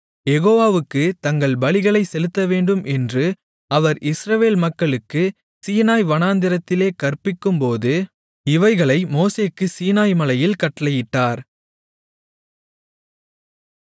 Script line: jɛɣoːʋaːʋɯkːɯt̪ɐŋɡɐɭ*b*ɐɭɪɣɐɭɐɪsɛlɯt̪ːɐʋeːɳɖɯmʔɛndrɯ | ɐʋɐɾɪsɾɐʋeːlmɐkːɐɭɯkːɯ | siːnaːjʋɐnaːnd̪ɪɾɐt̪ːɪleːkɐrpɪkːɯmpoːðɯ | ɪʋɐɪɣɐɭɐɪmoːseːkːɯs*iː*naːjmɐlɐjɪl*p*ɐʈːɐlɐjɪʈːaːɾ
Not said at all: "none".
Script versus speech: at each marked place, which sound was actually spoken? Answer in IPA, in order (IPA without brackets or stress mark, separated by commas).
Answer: b, iː, k